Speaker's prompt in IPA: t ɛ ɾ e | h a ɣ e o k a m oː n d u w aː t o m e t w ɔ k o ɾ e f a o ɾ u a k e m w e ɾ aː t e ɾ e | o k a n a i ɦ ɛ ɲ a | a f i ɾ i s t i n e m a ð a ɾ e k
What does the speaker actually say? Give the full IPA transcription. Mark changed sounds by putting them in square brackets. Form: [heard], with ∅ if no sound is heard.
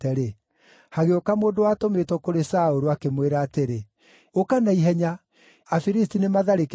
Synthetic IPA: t ɛ ɾ e | h a ɣ e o k a m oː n d [o] w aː t o m e t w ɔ k o ɾ e [s] a o ɾ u a k e m w e ɾ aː t e ɾ e | o k a n a i ɦ ɛ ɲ a | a f i ɾ i s t i n e m a ð a ɾ e k